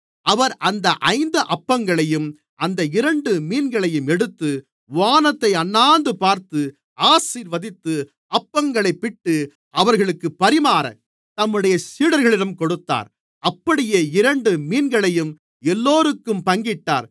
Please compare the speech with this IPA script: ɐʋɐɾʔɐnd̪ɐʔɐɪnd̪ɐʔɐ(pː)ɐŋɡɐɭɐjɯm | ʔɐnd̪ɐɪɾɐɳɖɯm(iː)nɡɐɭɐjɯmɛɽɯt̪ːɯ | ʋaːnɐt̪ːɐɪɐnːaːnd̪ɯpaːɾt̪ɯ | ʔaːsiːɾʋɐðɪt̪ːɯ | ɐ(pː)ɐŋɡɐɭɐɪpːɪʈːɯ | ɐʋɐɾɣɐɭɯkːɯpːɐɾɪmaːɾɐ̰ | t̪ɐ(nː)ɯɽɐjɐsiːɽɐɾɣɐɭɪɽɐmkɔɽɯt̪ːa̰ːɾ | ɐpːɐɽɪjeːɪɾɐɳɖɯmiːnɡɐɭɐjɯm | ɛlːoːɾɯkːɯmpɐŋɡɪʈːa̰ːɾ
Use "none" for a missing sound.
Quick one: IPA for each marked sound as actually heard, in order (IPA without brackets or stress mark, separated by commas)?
pː, iː, pː, mː